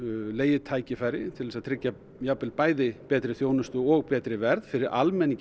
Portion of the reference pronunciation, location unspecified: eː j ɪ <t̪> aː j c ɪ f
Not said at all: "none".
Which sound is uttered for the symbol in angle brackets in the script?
t̪ʰ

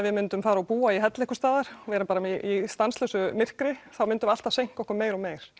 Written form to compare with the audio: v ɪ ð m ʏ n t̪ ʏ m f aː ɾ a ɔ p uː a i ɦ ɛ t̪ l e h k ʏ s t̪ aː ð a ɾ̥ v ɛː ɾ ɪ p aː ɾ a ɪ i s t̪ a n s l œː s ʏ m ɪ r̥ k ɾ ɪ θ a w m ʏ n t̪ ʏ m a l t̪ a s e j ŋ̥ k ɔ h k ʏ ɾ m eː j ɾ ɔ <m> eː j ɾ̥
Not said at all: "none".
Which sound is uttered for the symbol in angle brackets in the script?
m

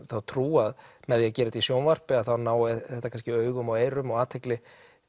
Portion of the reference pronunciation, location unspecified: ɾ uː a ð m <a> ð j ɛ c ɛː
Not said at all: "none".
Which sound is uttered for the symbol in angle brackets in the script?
ɛ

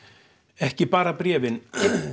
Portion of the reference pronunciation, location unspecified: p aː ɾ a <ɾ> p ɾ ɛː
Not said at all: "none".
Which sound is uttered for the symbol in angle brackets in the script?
none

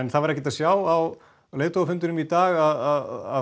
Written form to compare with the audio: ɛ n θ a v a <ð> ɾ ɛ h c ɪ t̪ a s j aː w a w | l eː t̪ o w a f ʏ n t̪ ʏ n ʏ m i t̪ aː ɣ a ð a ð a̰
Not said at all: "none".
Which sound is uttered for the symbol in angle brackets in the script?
none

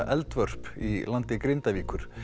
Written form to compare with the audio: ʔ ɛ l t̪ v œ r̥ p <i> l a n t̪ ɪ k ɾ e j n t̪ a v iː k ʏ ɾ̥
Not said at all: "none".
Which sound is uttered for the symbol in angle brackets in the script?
i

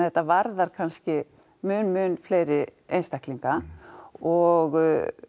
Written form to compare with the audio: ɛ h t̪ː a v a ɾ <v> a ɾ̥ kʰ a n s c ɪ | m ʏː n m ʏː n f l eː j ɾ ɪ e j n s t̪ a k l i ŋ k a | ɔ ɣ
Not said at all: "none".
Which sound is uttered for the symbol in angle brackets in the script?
ð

